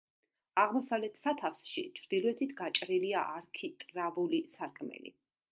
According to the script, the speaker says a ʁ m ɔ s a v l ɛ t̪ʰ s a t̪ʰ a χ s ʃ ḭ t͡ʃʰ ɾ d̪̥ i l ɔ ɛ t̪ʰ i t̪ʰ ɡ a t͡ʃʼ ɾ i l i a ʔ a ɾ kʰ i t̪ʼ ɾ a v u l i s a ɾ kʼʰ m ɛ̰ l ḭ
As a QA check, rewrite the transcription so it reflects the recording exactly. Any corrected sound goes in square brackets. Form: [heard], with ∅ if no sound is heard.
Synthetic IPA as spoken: a ʁ m ɔ s a v l ɛ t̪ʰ s a t̪ʰ a [f] s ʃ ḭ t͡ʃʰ ɾ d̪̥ i l ɔ ɛ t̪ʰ i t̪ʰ ɡ a t͡ʃʼ ɾ i l i a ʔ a ɾ kʰ i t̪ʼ ɾ a v u l i s a ɾ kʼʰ m ɛ̰ l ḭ